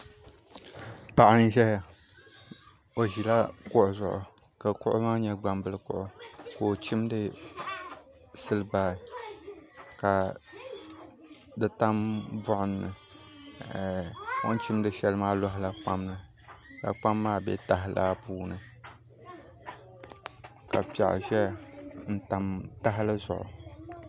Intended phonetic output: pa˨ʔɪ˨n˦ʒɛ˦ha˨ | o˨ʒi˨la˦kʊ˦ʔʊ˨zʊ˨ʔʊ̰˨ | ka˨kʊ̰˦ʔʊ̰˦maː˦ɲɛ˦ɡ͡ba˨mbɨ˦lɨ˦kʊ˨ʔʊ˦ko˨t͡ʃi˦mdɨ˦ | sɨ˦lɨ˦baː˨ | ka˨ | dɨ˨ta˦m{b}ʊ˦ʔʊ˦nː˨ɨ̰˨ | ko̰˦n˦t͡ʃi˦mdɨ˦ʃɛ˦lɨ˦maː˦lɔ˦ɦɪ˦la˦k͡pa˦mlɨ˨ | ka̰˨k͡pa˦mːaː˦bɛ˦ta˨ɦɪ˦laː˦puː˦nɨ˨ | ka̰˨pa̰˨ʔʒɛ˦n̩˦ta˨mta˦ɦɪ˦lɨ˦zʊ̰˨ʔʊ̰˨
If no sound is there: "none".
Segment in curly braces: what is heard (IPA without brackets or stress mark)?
b